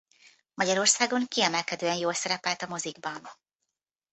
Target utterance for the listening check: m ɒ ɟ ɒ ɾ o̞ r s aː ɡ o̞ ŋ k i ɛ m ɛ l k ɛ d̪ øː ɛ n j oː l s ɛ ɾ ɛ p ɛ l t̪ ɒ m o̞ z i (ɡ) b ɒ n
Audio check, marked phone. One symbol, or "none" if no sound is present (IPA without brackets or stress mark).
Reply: ɡ